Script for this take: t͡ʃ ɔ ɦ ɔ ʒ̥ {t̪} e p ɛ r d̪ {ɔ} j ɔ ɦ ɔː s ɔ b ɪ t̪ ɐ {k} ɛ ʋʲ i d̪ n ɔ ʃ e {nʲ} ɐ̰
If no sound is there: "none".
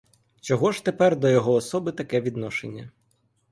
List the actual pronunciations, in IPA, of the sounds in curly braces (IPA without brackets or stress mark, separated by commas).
t̪, ɔ, k, nʲː